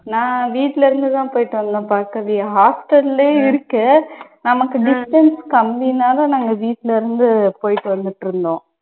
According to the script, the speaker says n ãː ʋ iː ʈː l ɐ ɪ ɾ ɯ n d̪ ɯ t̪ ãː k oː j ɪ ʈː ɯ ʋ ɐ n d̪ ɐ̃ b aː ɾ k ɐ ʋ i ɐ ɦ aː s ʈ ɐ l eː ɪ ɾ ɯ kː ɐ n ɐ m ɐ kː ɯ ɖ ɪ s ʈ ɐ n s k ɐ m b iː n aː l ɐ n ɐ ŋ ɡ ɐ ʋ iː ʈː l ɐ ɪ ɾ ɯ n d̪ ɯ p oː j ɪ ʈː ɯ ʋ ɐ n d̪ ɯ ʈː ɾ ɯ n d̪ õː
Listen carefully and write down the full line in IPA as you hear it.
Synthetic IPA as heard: n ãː ʋ iː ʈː l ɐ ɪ ɾ ɯ n d̪ ɯ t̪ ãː p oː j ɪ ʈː ɯ ʋ ɐ n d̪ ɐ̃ p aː ɾ k ɐ ʋ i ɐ ɦ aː s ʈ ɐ l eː ɪ ɾ ɯ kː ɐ n ɐ m ɐ kː ɯ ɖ ɪ s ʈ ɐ n s k ɐ m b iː n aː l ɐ n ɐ ŋ ɡ ɐ ʋ iː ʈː l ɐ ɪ ɾ ɯ n d̪ ɯ p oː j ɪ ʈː ɯ ʋ ɐ n d̪ ɯ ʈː ɾ ɯ n d̪ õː